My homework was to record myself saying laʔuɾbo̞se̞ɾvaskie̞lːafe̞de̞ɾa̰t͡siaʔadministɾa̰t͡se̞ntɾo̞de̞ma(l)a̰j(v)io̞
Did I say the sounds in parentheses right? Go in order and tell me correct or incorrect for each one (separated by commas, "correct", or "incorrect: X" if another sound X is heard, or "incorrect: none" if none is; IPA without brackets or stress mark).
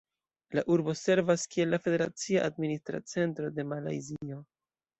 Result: correct, incorrect: z